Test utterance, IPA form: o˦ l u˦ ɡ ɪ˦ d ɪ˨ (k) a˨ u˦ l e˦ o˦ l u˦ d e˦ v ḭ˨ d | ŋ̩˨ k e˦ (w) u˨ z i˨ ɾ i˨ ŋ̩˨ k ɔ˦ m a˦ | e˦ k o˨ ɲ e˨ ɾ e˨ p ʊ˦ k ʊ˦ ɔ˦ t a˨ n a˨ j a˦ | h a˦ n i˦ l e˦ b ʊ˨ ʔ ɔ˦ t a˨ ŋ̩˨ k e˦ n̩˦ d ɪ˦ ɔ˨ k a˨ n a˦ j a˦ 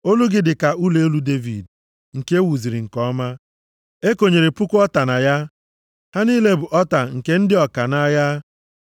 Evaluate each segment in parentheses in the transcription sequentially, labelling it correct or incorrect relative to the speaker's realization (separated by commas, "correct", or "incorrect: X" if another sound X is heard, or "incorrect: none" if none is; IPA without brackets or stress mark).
correct, correct